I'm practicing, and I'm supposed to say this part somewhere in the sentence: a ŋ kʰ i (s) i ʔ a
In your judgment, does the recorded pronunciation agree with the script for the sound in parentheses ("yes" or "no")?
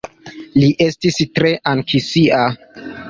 yes